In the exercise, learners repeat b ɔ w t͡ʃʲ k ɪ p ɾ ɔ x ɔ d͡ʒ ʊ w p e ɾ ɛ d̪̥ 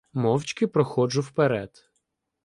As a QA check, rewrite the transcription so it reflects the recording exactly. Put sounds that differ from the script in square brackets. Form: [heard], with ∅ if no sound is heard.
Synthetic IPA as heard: [m] ɔ w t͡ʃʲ k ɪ p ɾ ɔ x ɔ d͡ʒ ʊ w p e ɾ ɛ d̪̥